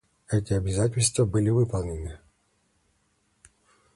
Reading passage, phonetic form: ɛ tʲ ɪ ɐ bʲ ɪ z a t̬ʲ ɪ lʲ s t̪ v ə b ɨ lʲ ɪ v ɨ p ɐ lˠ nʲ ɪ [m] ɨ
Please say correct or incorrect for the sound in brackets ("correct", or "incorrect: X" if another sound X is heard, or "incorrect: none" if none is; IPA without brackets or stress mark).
incorrect: n